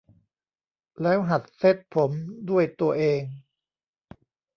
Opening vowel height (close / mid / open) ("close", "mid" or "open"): mid